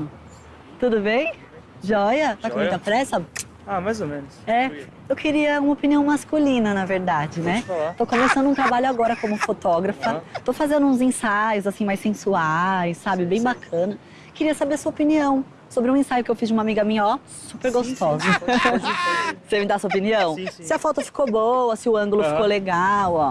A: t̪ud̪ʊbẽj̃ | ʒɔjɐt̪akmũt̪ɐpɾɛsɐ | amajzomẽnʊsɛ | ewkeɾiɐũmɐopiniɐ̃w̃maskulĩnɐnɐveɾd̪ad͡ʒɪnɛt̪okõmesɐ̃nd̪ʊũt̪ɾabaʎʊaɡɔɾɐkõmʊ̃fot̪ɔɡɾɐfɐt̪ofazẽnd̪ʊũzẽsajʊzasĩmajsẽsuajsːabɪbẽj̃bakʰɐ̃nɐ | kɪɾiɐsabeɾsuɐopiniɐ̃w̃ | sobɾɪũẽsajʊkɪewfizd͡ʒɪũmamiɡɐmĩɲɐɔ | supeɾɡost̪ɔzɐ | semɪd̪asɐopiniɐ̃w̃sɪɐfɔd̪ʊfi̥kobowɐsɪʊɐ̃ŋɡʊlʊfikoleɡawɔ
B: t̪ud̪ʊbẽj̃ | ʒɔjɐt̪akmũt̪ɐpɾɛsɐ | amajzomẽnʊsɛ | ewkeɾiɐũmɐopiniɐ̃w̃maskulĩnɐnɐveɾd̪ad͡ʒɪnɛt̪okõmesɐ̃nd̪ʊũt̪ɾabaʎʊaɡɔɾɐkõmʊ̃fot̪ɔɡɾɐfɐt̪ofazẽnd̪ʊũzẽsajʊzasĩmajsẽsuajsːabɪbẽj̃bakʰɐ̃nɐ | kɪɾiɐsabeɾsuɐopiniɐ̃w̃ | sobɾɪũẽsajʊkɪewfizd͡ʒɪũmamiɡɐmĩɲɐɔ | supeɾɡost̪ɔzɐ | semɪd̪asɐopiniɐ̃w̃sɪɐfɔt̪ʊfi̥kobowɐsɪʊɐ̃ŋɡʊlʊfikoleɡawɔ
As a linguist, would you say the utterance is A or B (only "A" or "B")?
B